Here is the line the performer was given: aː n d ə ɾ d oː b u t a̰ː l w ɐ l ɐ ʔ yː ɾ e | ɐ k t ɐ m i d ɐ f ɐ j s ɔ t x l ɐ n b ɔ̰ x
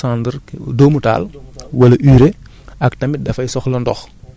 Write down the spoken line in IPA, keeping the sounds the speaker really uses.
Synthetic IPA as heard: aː n d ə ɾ d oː m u t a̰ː l w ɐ l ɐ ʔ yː ɾ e | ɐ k t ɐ m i d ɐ f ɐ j s ɔ x l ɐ n d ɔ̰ x

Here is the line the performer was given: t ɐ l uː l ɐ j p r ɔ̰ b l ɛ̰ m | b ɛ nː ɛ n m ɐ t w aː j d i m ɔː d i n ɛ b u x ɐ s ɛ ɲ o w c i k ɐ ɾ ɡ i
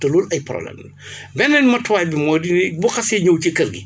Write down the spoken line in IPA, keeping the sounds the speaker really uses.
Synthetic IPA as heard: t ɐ l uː l ɐ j p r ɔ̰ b l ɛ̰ m | b ɛ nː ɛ n m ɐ t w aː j b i m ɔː d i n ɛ b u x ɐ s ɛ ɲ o w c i k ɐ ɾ ɡ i

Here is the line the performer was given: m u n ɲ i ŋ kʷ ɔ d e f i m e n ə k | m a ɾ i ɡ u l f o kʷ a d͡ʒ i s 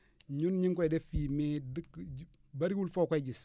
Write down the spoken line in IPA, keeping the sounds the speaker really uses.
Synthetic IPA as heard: ɲ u n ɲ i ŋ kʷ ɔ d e f i m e d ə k | b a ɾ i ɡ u l f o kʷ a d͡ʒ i s

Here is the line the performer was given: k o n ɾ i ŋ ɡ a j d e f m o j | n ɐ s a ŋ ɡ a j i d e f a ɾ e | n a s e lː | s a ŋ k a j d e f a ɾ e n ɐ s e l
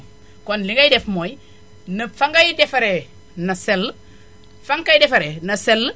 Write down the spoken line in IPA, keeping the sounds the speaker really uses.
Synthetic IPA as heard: k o n l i ŋ ɡ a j d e f m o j | n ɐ f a ŋ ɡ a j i d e f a ɾ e | n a s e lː | f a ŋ k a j d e f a ɾ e n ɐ s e l

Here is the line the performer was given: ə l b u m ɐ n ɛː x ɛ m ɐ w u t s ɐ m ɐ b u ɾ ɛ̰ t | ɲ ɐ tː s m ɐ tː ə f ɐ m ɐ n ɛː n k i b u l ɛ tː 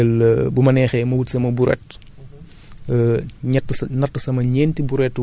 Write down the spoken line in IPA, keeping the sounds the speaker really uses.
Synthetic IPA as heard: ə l b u m ɐ n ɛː x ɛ m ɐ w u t s ɐ m ɐ b u ɾ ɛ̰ t | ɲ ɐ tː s n ɐ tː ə s ɐ m ɐ ɲ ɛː n t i b u ɾ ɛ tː

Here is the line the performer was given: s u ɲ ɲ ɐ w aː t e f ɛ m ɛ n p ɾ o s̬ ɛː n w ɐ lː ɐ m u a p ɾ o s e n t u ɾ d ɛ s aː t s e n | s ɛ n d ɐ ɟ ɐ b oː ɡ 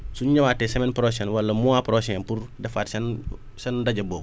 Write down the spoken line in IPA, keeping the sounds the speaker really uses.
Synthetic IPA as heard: s u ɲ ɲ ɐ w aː t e s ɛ m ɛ n p ɾ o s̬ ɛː n w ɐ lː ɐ m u a p ɾ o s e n p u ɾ d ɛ f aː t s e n | s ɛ n d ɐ ɟ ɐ b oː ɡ

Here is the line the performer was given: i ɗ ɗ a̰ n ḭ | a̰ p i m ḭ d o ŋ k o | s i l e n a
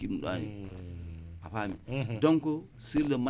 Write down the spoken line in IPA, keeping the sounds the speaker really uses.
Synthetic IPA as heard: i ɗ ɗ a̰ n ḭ | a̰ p a m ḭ d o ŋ k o | s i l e m a

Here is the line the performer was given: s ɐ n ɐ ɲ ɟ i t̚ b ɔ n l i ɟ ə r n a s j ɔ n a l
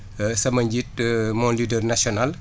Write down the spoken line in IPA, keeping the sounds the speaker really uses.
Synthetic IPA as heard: s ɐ m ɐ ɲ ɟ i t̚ m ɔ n l i d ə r n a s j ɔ n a l

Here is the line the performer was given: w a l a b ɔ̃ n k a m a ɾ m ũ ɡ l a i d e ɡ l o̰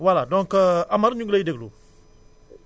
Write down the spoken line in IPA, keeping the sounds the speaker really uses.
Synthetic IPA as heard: w a l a d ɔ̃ ŋ k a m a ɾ ɲ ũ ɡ l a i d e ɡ l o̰

